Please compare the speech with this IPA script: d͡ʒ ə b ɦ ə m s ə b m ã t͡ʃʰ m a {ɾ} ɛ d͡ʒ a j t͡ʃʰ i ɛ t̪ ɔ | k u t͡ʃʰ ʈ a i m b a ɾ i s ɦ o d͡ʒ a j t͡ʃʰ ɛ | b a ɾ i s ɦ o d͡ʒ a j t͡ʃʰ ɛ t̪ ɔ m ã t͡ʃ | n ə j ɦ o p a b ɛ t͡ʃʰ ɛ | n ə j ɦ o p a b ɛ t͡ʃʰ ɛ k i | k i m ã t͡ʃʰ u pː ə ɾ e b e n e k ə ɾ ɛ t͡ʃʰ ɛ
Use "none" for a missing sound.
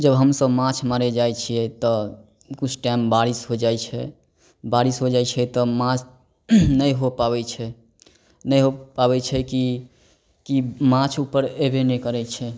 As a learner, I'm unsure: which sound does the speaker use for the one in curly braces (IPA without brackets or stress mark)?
ɾ